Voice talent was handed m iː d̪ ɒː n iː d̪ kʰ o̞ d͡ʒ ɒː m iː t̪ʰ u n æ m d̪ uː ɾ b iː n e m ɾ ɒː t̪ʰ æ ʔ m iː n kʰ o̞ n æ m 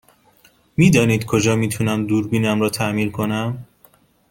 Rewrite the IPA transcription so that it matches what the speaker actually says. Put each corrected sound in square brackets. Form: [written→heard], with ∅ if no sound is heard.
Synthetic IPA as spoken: m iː d̪ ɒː n iː d̪ kʰ o̞ d͡ʒ ɒː m iː t̪ʰ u n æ m d̪ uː ɾ b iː n [e→æ] m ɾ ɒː t̪ʰ æ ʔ m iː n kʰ o̞ n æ m